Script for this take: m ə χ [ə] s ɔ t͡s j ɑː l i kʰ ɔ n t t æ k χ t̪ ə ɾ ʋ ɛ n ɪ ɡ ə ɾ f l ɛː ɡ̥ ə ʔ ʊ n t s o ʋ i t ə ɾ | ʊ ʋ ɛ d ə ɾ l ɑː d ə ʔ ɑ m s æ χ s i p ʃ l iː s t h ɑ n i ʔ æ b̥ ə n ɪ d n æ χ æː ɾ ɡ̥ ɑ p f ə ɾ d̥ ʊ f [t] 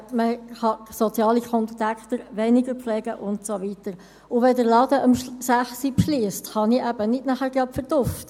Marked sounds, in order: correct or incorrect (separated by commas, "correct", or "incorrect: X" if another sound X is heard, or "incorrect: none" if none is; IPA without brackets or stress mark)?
incorrect: ɑ, correct